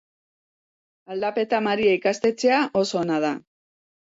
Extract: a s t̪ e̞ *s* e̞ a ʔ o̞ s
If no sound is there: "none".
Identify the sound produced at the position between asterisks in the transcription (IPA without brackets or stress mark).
t͡s